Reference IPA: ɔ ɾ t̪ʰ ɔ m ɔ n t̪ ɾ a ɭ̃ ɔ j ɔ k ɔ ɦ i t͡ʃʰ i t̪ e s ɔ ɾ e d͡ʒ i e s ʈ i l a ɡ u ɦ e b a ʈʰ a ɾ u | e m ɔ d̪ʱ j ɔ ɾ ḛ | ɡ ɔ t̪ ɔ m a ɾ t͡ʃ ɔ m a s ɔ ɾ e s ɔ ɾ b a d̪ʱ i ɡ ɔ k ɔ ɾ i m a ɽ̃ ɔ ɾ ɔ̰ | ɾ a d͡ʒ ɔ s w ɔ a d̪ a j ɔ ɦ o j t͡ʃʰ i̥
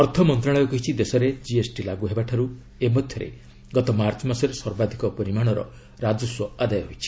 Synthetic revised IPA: ɔ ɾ t̪ʰ ɔ m ɔ n t̪ ɾ a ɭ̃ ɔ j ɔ k ɔ ɦ i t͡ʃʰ i d̪ e s ɔ ɾ e d͡ʒ i e s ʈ i l a ɡ u ɦ e b a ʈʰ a ɾ u | e m ɔ d̪ʱ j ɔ ɾ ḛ | ɡ ɔ t̪ ɔ m a ɾ t͡ʃ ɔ m a s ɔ ɾ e s ɔ ɾ b a d̪ʱ i k ɔ p ɔ ɾ i m a ɽ̃ ɔ ɾ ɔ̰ | ɾ a d͡ʒ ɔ s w ɔ a d̪ a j ɔ ɦ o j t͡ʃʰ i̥